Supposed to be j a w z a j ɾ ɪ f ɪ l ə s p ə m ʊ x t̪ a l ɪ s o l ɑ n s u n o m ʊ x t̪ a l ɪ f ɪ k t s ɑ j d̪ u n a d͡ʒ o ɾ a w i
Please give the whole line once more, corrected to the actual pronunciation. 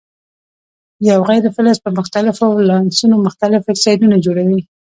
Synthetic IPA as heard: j a w ɣ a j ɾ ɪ f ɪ l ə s p ə m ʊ x t̪ a l ɪ f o l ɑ n s u n o m ʊ x t̪ a l ɪ f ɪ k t s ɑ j d̪ u n a d͡ʒ o ɽ a w i